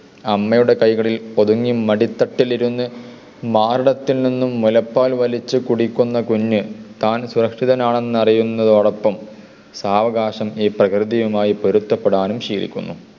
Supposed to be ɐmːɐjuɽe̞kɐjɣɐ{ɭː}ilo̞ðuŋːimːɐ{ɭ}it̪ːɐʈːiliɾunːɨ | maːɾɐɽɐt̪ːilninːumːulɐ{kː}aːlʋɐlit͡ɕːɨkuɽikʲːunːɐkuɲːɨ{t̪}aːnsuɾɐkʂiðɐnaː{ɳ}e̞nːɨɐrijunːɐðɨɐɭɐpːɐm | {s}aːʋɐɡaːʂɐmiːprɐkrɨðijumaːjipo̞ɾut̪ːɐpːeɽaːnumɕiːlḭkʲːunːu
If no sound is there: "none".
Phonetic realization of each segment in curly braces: ɭ, ɽ, pː, t̪, ɳ, s

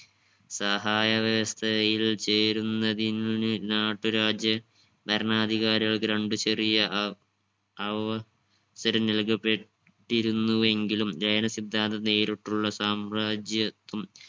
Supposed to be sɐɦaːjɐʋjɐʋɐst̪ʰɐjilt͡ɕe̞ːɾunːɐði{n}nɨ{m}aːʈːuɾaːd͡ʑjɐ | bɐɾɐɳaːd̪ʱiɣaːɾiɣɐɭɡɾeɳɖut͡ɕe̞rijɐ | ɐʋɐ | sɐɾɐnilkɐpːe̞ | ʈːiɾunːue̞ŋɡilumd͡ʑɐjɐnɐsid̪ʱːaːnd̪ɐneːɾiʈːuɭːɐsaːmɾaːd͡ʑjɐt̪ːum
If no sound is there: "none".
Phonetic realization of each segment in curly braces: n, n

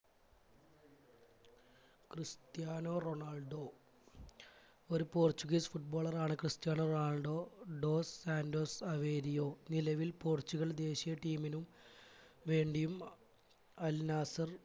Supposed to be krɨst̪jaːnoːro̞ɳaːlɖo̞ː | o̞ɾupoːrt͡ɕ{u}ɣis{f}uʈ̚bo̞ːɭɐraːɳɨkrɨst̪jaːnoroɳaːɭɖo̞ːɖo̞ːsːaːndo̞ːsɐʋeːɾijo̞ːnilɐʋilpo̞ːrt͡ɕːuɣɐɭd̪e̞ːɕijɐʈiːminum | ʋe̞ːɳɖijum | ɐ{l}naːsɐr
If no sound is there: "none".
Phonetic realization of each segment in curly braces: u, f, l

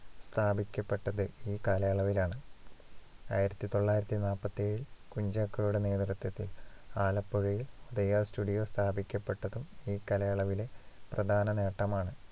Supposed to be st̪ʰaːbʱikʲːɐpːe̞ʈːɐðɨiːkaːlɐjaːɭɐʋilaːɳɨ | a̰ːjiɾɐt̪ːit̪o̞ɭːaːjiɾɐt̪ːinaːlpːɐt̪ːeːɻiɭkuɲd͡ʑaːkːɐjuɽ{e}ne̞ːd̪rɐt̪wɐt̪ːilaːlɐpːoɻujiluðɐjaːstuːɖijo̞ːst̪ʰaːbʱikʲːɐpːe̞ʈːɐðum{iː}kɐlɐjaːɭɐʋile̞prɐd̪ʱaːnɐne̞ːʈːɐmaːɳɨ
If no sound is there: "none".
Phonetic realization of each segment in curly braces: e, iː

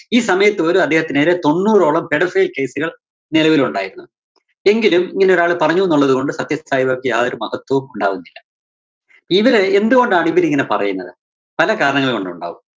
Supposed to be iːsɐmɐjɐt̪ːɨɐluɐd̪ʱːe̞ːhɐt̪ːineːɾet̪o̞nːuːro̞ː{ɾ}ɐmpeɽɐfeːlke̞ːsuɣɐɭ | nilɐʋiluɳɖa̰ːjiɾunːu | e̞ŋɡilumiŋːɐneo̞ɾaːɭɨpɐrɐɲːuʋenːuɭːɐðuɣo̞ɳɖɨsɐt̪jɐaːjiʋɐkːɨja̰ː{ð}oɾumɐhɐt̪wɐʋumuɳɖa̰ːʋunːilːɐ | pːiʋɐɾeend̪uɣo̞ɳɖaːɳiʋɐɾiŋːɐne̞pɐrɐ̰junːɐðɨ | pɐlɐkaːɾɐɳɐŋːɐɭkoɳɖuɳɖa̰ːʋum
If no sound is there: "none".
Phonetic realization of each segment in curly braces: ɭ, ð

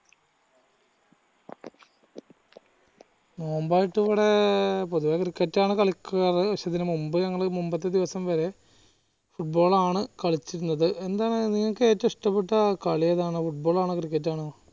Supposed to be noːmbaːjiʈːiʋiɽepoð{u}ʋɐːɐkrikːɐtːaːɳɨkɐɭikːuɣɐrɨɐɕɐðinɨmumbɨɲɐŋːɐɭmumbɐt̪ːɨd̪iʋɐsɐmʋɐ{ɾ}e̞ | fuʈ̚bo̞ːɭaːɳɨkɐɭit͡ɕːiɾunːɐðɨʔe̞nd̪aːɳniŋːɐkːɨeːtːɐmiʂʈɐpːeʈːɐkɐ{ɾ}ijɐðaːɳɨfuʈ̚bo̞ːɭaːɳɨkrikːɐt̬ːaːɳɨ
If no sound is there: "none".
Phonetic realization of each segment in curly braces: u, ɾ, ɭ

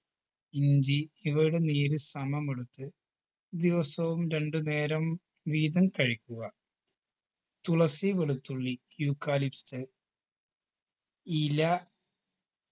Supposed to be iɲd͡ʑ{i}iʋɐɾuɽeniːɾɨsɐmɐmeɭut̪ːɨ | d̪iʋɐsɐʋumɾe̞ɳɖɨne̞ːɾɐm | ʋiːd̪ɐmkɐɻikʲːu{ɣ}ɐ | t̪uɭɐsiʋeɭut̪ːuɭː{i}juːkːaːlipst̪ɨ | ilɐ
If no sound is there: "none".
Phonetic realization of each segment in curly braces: i, ɣ, i

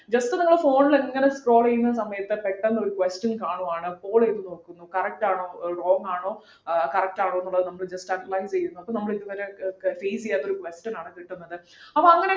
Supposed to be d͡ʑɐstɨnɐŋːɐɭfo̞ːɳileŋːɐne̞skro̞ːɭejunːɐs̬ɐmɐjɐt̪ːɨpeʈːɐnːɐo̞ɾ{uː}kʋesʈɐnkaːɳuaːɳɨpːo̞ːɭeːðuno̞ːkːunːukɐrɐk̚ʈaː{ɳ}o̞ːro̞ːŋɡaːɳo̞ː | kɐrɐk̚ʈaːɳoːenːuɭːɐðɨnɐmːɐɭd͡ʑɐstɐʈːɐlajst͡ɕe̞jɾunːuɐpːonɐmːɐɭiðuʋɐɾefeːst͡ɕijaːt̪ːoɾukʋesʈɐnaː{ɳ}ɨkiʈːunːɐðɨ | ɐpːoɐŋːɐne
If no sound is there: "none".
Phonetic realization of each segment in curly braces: u, ɳ, ɳ

